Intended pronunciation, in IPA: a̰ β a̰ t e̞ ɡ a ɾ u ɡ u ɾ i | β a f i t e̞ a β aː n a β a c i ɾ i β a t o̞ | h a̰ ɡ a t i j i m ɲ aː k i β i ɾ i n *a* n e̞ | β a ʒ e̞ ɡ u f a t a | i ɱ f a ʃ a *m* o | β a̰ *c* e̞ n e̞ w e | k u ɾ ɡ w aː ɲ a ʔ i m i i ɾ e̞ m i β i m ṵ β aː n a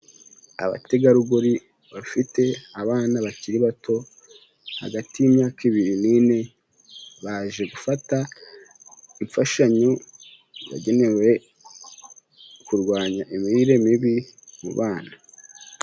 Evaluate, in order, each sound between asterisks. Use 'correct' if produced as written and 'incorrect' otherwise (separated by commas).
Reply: incorrect, incorrect, incorrect